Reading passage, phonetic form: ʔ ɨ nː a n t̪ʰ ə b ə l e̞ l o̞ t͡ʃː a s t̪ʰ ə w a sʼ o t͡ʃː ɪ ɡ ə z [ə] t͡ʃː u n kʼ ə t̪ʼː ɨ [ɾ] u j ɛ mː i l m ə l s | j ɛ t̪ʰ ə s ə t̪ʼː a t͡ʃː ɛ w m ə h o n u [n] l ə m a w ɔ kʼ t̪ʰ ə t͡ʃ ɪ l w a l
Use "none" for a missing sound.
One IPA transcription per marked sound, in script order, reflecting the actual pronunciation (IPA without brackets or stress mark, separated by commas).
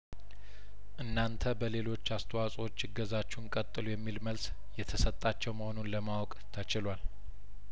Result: a, l, n